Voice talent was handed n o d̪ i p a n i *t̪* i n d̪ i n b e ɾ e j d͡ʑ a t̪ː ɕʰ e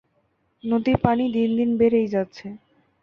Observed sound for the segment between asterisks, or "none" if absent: d̪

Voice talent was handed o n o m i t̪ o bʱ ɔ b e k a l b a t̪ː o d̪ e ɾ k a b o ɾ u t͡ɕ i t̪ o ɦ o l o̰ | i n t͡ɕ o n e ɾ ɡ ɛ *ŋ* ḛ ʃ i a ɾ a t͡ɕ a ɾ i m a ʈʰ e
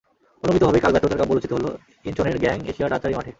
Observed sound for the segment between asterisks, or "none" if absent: ŋ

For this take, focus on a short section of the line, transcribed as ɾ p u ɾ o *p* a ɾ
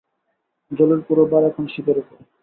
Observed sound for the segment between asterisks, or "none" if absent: b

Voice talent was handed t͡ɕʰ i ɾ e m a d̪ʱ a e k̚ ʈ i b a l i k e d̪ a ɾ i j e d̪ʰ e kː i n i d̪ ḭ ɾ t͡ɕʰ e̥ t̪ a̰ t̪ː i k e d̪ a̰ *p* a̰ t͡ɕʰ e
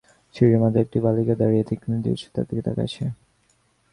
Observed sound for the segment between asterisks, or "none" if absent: k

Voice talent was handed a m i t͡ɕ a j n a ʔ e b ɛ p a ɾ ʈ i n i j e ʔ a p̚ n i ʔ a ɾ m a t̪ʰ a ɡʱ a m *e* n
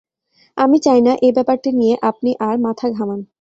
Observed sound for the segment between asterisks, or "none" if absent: a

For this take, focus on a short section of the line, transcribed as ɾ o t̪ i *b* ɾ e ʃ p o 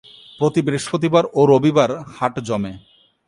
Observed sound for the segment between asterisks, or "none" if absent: b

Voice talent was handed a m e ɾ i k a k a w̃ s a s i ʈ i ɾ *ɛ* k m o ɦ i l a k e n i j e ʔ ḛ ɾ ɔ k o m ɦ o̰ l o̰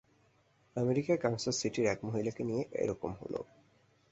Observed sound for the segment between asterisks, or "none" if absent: ɛ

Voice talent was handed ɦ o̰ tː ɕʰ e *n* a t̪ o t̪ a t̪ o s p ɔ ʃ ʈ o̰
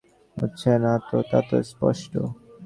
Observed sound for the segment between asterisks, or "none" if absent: n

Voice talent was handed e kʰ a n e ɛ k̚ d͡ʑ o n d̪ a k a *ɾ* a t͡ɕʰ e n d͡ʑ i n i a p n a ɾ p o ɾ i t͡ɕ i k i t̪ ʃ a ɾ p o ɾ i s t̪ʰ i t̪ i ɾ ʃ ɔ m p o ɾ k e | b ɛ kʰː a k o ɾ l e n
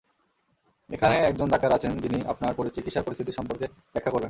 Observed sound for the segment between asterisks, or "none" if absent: ɾ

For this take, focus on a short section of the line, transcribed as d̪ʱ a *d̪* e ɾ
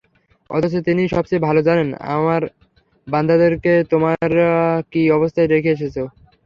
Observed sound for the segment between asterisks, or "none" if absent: d̪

